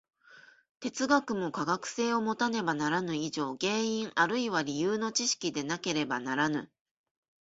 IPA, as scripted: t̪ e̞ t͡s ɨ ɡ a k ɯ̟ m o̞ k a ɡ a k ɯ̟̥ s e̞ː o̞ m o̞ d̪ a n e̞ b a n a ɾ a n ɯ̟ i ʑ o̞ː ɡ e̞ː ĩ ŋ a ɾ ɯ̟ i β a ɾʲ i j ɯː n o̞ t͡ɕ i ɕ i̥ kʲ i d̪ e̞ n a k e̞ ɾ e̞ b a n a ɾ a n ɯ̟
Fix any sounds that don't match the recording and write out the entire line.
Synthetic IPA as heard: t̪ e̞ t͡s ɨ ɡ a k ɯ̟ m o̞ k a ɡ a k ɯ̟̥ s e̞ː o̞ m o̞ t̪ a n e̞ b a n a ɾ a n ɯ̟ i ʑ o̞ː ɡ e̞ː ĩ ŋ a ɾ ɯ̟ i β a ɾʲ i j ɯː n o̞ t͡ɕ i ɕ i̥ kʲ i d̪ e̞ n a k e̞ ɾ e̞ b a n a ɾ a n ɯ̟